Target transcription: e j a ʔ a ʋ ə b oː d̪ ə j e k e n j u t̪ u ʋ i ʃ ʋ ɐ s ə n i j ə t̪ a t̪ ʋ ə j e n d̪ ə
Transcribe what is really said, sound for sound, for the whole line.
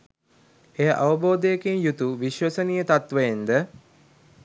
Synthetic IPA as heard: e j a ʔ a ʋ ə b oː d̪ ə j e k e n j u t̪ u ʋ i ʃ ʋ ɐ s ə n i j ə t̪ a t̪ ʋ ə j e n d̪ ə